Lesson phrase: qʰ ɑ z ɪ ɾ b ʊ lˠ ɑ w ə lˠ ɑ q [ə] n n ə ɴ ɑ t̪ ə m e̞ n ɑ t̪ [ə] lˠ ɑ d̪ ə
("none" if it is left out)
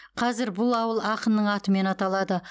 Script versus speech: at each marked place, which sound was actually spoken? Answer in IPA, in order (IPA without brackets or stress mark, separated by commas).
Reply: ə, ɑ